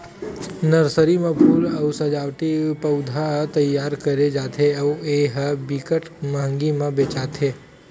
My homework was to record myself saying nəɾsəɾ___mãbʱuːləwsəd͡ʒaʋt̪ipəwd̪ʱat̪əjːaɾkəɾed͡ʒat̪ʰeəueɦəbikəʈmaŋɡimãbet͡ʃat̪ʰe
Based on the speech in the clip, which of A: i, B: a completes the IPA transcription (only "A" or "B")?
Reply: A